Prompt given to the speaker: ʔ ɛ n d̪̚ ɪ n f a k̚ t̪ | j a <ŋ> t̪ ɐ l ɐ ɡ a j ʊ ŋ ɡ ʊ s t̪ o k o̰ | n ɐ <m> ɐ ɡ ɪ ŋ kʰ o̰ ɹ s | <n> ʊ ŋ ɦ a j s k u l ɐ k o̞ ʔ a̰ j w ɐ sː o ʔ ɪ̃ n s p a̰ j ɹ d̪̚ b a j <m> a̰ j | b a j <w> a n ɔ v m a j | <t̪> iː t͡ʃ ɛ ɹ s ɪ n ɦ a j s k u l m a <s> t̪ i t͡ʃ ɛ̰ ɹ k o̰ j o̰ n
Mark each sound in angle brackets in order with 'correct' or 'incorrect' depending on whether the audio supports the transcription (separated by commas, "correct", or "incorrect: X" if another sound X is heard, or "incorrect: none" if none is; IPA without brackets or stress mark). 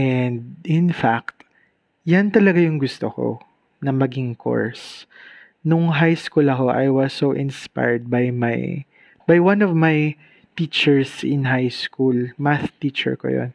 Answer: incorrect: n, correct, correct, correct, correct, correct, incorrect: θ